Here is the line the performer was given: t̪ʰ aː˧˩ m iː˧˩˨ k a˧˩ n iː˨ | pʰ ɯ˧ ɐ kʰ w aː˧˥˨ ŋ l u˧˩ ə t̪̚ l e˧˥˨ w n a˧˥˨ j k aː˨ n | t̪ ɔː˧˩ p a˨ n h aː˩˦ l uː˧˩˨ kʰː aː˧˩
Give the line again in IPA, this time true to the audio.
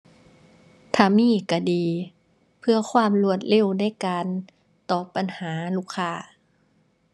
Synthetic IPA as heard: t̪ʰ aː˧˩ m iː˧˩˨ k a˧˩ d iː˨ | pʰ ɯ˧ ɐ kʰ w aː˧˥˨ m l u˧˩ ə t̪̚ l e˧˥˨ w n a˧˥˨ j k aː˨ n | t̪ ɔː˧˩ p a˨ n h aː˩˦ l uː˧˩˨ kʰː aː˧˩